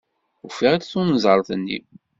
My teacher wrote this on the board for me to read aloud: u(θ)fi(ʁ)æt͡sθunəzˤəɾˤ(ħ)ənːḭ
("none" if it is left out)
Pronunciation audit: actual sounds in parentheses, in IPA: none, ʁ, θ

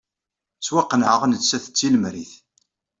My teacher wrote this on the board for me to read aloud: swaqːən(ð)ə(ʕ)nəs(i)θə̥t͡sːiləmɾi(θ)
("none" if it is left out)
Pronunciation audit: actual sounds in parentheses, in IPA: ʕ, ʁ, æ, θ

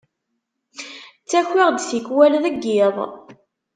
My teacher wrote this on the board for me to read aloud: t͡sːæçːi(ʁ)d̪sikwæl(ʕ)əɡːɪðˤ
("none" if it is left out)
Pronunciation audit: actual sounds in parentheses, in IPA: ʁ, ð

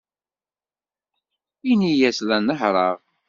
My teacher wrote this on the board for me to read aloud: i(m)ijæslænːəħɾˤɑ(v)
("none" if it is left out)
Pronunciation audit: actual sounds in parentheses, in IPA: n, ʁ

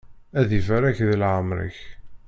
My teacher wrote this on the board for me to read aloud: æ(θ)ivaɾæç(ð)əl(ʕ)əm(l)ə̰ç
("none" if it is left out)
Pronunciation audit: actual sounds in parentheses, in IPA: ð, ð, ʕ, ɾ

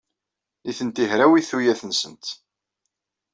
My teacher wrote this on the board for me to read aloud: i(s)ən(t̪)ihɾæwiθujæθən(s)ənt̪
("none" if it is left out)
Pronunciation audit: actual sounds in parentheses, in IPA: θ, t̪, s

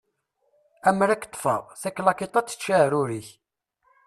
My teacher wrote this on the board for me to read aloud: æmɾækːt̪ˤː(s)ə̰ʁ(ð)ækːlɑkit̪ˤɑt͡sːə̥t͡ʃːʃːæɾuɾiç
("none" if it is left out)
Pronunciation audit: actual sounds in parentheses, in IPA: f, θ

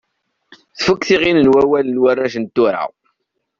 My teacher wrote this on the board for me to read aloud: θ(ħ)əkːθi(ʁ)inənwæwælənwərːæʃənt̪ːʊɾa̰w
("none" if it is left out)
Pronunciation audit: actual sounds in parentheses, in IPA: f, ʁ

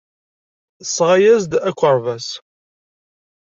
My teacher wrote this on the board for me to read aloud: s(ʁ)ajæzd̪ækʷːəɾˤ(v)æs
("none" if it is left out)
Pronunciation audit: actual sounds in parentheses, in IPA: ʁ, v

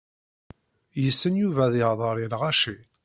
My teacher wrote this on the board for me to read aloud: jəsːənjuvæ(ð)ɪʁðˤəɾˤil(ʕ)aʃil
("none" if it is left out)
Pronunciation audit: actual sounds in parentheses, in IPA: ð, ʁ

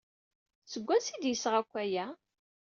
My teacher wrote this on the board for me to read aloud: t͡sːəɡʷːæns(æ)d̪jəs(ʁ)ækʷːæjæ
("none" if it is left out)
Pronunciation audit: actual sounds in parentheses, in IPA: i, ʁ

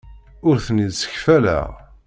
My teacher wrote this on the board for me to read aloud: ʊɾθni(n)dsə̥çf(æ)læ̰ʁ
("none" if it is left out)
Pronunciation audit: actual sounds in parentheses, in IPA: none, æ

